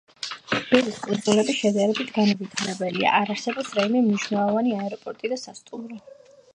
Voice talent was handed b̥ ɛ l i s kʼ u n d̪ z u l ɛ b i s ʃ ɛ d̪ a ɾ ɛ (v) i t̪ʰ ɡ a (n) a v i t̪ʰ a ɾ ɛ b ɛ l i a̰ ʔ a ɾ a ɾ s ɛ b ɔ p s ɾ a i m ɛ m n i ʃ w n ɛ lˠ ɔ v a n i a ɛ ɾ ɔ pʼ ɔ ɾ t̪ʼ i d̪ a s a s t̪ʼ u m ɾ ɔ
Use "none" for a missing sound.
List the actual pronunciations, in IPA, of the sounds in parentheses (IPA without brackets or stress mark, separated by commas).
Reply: b, n